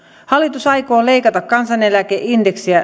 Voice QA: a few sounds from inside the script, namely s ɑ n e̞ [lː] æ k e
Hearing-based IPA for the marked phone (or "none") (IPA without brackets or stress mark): l